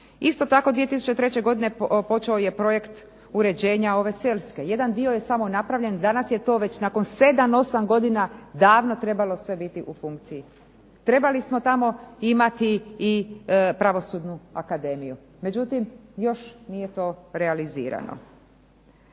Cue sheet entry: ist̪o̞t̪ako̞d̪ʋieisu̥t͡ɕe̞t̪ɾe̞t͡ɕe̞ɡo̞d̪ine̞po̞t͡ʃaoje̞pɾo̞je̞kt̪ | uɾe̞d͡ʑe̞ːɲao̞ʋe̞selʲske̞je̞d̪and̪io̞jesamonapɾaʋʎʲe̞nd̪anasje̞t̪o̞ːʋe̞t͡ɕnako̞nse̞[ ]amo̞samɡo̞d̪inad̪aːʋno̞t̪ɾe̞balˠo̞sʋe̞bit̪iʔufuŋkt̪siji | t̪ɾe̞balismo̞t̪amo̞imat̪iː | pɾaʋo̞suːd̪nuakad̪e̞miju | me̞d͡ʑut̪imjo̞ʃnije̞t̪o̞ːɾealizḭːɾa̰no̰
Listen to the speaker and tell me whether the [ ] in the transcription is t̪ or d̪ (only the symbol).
d̪